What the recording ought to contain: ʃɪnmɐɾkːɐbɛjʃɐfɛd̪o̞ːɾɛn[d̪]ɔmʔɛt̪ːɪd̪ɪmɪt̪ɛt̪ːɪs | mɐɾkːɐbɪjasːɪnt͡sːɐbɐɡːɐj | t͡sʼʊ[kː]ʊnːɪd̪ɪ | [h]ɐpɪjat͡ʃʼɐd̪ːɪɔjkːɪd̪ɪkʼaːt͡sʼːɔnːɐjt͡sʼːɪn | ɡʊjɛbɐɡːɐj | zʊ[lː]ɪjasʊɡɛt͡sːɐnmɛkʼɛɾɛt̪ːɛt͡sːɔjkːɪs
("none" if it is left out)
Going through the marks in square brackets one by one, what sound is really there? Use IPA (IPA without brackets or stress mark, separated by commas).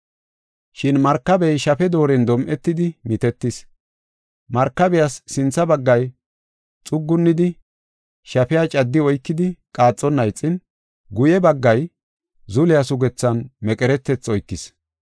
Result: d̪, ɡː, ʃ, l